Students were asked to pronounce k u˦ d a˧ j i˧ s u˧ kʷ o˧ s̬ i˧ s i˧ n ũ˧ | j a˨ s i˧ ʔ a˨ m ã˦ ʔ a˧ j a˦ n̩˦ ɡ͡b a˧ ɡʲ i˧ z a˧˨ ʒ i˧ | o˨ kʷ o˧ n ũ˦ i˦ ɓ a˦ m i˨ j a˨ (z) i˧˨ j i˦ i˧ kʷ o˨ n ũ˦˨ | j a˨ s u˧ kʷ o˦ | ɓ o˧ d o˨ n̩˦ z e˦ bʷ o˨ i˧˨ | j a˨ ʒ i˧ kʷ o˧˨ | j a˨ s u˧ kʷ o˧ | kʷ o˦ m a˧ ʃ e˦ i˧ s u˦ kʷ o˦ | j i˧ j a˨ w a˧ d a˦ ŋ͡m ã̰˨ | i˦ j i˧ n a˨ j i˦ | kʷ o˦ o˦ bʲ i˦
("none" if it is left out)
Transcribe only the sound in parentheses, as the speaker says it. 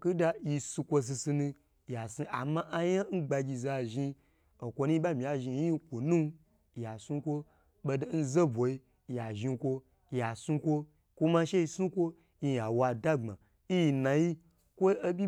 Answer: ʒ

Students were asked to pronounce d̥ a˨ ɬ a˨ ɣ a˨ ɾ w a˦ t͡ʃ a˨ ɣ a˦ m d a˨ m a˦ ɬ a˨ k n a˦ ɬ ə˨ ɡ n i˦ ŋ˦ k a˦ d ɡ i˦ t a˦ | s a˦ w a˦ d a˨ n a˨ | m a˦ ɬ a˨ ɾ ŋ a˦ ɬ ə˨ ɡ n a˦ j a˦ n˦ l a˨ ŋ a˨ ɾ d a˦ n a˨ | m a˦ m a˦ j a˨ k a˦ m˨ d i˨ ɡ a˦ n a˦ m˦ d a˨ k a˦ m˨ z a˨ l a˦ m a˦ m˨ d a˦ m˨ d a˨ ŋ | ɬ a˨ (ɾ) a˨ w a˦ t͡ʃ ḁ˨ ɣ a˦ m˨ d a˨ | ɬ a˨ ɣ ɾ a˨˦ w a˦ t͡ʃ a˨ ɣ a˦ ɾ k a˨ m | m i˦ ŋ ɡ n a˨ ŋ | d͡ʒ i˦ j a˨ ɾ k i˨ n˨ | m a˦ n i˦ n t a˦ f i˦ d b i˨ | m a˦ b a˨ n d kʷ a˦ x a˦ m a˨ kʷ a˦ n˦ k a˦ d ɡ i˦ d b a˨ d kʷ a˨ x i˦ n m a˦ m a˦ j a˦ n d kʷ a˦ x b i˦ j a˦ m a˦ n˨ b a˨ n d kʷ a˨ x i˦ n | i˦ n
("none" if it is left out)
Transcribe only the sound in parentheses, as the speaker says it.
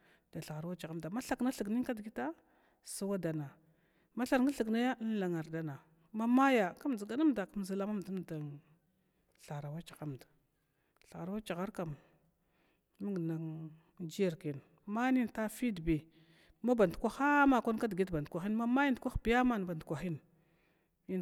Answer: ɾ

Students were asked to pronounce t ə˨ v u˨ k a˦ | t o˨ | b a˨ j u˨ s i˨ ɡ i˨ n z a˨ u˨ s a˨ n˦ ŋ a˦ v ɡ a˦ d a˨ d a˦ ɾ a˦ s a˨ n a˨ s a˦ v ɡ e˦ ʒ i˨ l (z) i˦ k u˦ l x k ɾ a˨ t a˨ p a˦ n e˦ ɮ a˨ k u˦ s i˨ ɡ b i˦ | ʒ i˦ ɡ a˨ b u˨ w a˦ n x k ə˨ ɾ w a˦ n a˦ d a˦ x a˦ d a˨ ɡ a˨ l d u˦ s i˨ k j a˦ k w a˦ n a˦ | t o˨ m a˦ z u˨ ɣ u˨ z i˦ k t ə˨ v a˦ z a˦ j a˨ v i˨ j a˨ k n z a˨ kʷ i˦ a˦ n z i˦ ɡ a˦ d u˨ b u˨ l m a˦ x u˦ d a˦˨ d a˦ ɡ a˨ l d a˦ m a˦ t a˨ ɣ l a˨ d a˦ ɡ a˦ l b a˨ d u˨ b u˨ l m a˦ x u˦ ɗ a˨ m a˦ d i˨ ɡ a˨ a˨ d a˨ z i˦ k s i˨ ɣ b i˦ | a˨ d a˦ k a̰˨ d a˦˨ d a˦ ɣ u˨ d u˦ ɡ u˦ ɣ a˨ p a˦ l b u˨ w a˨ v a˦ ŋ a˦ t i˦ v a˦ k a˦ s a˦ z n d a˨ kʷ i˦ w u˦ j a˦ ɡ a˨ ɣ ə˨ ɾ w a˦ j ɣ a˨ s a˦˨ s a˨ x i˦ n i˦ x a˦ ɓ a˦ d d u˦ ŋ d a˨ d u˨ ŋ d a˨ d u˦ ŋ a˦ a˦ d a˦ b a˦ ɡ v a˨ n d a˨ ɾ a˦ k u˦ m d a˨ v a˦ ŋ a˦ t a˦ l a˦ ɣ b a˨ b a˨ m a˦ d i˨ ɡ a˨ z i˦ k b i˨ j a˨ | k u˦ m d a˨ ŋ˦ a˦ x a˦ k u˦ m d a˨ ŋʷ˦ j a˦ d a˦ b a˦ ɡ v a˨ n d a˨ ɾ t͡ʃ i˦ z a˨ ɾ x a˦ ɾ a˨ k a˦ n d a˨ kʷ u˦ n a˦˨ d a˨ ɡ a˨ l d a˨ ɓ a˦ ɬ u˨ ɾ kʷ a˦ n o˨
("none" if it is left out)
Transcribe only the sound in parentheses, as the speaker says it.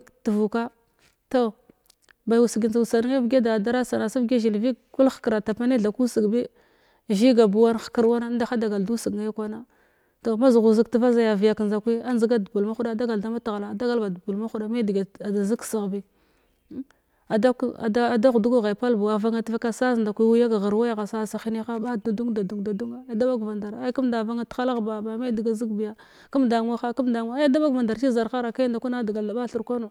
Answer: v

